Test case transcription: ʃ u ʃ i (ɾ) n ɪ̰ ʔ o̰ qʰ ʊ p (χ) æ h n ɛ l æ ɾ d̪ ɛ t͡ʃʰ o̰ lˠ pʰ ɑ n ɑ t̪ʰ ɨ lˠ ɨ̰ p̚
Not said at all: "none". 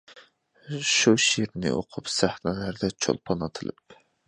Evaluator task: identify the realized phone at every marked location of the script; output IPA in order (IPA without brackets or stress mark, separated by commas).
ɾ, s